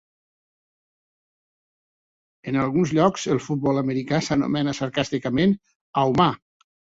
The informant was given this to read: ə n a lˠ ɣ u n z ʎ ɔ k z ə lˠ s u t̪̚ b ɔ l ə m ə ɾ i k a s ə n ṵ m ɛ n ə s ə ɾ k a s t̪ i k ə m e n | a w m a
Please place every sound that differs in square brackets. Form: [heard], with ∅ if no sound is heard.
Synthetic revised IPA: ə n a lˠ ɣ u n z ʎ ɔ k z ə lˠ [f] u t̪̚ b ɔ l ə m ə ɾ i k a s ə n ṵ m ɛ n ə s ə ɾ k a s t̪ i k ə m e n | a w m a